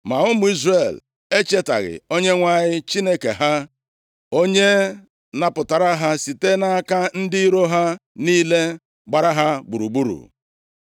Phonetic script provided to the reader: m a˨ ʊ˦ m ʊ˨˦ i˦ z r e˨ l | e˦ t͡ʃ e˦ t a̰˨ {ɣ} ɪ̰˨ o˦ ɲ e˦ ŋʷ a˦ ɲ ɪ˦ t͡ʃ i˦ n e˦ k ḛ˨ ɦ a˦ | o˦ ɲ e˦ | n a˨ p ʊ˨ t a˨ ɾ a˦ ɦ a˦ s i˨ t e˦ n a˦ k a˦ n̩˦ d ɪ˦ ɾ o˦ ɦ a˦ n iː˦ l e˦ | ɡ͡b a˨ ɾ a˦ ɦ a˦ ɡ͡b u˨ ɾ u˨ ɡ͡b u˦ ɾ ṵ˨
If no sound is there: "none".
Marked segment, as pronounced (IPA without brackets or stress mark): ɣ